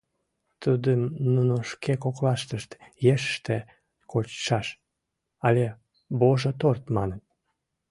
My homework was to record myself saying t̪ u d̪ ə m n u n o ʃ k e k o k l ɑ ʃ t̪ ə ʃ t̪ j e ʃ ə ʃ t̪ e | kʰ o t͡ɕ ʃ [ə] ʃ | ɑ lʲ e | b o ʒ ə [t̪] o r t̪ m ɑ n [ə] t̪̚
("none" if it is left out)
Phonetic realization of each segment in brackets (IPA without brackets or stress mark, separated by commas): ɑ, t̪, ə